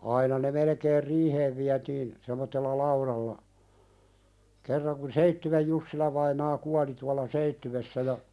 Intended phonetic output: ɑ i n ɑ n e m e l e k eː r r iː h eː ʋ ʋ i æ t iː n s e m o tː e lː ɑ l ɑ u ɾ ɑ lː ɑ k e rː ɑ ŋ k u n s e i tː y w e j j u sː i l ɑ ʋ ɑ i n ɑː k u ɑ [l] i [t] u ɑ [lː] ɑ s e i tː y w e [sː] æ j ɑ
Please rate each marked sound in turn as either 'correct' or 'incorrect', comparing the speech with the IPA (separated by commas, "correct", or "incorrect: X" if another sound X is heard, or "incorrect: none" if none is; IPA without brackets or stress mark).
correct, correct, incorrect: l, correct